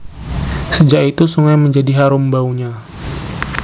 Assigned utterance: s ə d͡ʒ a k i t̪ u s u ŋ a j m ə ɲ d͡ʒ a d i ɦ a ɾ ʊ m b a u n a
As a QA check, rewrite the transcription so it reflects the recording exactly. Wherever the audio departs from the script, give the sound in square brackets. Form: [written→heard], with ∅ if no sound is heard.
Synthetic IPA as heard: s ə d͡ʒ a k i t̪ u s u ŋ a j m ə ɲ d͡ʒ a d i ɦ a ɾ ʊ m b a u [n→ɲ] a